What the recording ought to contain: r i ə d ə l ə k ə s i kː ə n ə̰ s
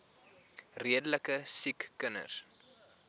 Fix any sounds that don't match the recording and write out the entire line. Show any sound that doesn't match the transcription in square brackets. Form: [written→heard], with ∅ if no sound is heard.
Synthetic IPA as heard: r i ə d ə l ə k ə s i kː ə n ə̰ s